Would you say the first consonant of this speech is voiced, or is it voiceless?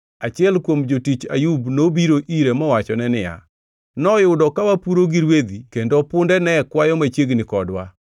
voiceless